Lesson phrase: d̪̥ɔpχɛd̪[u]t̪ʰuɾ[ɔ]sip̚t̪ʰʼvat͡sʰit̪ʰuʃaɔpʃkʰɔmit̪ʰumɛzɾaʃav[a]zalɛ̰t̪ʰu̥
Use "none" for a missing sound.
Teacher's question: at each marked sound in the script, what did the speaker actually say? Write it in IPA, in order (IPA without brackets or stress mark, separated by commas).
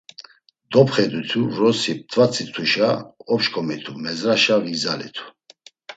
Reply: u, ɔ, i